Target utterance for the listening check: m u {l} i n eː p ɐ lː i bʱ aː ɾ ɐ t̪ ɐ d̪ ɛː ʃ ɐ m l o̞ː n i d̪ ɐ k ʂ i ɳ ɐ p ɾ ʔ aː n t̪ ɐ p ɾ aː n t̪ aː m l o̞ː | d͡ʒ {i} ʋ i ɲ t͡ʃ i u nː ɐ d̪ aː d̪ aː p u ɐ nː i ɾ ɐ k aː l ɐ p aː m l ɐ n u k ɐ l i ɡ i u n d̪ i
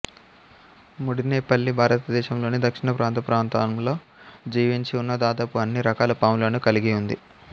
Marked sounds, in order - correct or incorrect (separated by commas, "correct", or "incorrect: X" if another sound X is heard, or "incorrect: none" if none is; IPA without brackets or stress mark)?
incorrect: ɽ, incorrect: iː